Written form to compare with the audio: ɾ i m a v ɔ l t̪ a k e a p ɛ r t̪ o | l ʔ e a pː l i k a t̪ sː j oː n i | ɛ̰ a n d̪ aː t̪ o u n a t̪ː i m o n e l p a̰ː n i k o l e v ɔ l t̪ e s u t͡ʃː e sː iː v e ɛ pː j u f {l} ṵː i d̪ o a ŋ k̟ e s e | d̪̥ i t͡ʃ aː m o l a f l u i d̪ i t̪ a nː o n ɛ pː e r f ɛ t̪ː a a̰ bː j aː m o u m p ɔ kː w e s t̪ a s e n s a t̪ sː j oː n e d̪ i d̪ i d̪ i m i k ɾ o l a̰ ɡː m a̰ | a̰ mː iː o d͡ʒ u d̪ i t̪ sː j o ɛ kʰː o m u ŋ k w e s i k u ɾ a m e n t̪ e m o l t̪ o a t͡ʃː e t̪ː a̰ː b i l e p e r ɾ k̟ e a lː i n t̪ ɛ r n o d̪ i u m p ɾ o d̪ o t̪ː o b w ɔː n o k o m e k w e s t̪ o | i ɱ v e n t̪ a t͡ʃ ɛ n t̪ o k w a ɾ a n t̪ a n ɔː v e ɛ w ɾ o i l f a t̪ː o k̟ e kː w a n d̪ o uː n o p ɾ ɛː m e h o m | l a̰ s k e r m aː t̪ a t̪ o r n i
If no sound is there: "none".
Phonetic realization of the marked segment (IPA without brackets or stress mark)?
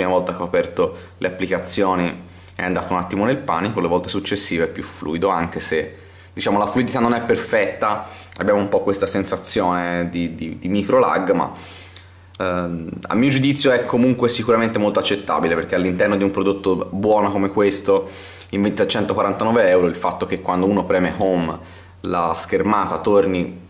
l